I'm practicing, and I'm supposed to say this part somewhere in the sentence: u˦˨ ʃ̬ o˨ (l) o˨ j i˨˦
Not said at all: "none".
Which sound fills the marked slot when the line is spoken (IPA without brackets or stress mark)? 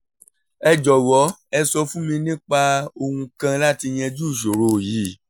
ɾ